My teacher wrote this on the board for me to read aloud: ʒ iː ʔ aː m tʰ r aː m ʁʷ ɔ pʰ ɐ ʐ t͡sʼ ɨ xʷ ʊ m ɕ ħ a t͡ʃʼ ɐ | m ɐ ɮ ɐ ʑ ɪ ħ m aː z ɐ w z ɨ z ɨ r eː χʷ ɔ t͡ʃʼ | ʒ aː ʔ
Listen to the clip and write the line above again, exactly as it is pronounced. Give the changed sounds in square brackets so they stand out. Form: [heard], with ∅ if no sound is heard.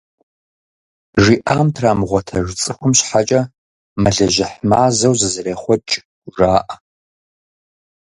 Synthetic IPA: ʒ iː ʔ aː m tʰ r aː m ʁʷ ɔ [tʰ] ɐ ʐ t͡sʼ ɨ xʷ ʊ m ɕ ħ a t͡ʃʼ ɐ | m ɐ ɮ ɐ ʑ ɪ ħ m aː z ɐ w z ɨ z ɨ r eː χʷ ɔ t͡ʃʼ | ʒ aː ʔ